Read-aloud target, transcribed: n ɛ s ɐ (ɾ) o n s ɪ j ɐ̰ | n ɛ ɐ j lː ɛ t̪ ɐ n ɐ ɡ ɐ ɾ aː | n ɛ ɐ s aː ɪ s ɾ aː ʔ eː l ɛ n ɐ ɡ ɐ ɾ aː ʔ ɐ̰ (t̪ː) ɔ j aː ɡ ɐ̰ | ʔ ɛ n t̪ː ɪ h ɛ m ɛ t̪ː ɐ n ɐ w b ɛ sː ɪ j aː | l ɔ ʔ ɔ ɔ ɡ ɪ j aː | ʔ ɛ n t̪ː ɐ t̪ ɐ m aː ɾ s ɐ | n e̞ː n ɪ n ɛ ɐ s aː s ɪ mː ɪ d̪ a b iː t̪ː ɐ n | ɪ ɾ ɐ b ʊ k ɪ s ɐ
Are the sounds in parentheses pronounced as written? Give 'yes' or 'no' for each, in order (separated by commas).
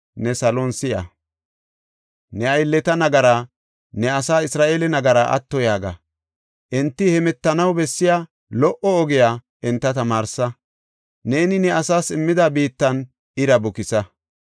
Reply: no, yes